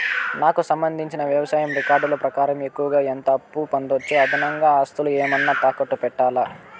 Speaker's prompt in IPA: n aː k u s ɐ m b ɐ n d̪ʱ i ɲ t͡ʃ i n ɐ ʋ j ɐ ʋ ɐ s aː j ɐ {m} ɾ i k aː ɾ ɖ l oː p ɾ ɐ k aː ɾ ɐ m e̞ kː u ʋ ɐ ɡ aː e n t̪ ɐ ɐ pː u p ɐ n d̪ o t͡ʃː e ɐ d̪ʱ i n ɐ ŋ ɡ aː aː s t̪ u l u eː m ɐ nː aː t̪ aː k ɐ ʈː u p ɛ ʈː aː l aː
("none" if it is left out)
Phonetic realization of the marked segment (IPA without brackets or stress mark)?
m